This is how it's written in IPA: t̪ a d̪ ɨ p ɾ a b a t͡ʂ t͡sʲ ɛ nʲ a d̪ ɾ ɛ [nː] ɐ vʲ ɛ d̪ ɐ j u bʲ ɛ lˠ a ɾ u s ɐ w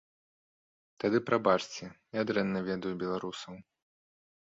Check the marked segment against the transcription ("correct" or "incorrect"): correct